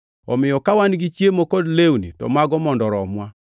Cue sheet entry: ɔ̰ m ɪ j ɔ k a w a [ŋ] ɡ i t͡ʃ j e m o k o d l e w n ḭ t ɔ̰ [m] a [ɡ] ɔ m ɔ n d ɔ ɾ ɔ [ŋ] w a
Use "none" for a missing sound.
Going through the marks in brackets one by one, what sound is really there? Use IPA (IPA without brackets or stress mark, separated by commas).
n, m, ɡ, m